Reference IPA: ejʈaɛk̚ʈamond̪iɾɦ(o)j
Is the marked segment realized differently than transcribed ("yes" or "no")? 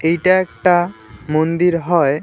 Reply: yes